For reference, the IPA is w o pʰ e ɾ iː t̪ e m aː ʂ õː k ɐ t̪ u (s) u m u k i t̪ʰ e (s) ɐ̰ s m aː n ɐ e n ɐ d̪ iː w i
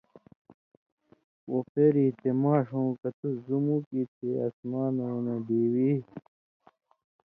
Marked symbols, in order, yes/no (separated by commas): no, no